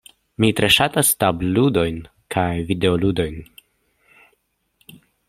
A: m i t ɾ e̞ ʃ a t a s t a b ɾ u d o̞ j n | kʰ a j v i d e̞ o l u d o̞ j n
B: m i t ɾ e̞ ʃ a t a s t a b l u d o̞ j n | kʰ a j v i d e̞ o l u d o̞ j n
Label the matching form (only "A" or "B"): B